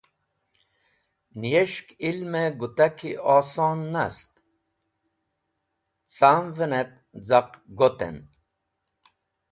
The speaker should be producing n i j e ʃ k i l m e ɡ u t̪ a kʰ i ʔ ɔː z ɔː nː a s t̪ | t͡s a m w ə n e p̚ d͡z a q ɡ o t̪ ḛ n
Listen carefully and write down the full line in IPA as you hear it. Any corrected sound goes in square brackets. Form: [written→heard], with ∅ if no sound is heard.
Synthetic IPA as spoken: n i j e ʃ k i l m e ɡ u t̪ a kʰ i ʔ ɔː [z→s] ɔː nː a s t̪ | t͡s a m [w→v] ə n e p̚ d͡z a q ɡ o t̪ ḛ n